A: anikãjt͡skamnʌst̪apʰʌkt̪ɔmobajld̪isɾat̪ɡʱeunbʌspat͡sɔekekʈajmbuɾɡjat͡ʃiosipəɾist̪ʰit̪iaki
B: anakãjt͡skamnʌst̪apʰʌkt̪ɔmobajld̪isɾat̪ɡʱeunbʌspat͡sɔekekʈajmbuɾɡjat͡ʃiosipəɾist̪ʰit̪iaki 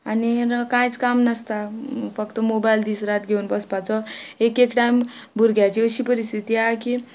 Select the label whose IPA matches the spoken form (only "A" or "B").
A